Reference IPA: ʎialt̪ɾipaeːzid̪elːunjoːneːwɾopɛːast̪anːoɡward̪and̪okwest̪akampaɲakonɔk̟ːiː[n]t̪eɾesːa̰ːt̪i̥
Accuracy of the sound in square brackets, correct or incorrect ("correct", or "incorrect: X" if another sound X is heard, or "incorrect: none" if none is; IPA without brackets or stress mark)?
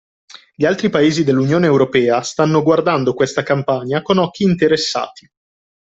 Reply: correct